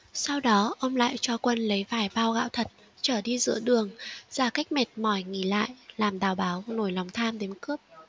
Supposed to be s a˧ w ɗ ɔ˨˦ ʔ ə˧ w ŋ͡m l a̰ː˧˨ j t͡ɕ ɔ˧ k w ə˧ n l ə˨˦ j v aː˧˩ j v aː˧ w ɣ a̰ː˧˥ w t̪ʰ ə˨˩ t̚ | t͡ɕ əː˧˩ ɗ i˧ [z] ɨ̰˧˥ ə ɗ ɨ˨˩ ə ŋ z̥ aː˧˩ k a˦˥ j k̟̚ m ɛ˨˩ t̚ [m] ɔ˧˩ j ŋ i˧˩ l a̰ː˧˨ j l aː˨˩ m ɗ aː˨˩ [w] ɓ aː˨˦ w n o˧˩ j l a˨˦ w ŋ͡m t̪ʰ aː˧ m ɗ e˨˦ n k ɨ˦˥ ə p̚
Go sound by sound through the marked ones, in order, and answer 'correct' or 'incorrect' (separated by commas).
correct, correct, correct